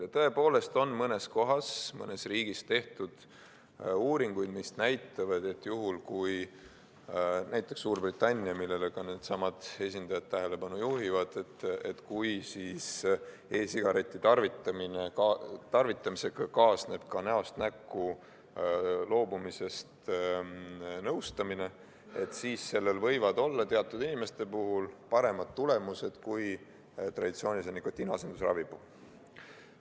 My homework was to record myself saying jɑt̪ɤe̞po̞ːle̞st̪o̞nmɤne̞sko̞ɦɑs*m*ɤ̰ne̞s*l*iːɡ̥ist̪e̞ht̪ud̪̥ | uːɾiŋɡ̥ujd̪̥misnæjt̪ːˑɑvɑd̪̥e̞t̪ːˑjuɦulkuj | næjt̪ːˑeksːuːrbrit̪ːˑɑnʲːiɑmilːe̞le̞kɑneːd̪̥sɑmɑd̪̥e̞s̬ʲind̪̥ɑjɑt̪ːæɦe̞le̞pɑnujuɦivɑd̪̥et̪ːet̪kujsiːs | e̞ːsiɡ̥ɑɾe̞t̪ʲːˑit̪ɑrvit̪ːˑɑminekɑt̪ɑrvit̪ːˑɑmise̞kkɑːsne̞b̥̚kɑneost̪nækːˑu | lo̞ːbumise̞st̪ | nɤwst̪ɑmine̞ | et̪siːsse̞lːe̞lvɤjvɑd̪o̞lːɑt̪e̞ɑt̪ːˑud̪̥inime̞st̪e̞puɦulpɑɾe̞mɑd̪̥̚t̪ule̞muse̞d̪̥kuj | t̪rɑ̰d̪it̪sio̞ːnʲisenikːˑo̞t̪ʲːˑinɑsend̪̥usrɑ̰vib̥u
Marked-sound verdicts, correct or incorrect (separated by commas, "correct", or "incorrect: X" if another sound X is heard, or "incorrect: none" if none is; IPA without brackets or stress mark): correct, incorrect: r